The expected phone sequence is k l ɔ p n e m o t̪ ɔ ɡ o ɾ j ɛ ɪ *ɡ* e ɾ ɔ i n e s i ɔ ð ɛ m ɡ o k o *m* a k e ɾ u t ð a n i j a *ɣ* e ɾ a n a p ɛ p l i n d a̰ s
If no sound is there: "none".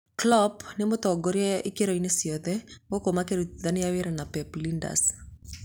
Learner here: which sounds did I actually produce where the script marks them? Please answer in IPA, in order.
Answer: k, m, w

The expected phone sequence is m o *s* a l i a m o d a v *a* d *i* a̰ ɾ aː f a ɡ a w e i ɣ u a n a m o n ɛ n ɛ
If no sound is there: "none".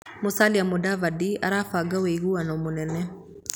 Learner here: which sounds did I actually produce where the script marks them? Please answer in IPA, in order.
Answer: s, a, i

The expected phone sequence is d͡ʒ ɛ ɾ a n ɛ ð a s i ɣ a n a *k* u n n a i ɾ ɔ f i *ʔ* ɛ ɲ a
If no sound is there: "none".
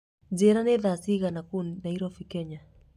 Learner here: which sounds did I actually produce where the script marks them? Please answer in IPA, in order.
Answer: k, k

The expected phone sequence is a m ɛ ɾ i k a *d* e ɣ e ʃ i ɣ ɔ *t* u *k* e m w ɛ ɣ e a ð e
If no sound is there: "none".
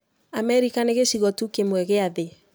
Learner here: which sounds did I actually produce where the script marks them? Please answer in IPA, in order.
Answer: n, t, k

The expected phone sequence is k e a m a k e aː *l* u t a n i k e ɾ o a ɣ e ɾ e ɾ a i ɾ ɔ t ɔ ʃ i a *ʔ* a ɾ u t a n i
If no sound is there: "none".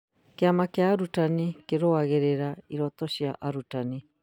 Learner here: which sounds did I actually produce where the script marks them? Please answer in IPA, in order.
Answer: ɾ, ʔ

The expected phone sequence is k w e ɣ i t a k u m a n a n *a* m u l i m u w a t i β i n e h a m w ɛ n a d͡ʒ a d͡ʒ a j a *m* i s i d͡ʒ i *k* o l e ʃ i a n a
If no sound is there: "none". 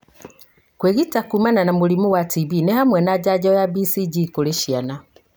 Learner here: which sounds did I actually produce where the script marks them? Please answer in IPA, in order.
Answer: a, b, k

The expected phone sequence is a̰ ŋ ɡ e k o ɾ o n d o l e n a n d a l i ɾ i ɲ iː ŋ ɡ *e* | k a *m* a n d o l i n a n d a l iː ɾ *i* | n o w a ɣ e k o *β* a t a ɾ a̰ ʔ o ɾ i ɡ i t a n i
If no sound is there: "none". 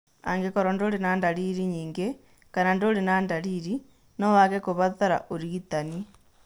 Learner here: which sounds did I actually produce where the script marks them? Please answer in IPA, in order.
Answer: e, n, i, β

